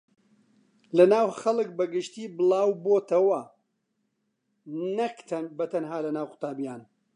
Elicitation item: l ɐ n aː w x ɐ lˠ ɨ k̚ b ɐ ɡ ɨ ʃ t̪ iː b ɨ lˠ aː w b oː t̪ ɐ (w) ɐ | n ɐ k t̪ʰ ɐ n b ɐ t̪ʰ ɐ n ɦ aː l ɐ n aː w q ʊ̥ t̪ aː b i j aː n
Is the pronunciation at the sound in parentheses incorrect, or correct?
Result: correct